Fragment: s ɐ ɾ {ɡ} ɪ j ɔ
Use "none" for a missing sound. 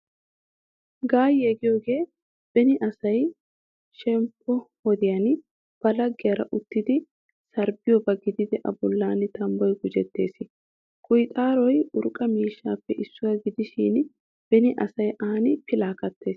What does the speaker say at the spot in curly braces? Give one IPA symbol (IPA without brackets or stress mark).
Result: b